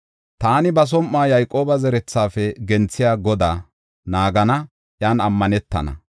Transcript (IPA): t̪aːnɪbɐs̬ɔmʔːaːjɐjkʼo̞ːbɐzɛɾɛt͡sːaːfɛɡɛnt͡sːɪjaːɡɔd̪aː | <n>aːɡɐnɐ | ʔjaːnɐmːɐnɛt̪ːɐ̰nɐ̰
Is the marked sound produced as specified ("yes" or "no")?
yes